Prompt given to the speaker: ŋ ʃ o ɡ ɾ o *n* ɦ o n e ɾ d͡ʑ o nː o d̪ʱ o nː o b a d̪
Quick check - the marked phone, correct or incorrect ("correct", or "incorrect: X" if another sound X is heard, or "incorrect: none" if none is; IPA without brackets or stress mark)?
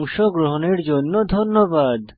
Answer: incorrect: none